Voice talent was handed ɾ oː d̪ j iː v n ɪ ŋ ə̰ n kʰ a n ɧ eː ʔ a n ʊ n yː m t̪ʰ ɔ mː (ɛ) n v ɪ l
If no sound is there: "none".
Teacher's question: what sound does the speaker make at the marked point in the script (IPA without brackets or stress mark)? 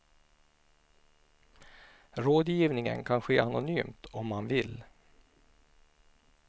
a